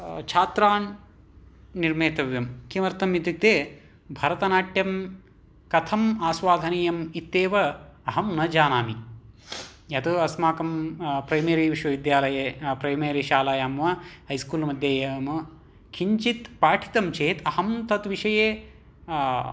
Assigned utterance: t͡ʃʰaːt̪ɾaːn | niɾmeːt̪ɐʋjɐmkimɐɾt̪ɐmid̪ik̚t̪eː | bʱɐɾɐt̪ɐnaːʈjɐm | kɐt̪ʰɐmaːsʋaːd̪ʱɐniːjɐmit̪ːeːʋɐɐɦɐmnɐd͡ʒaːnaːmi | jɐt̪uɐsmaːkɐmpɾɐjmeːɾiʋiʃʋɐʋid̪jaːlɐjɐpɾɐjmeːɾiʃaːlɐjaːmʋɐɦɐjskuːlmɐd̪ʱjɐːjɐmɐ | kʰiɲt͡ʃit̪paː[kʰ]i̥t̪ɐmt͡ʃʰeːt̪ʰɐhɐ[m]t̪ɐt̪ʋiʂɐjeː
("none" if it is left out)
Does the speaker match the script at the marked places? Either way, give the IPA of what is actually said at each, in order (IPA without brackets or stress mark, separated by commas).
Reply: ʈʰ, m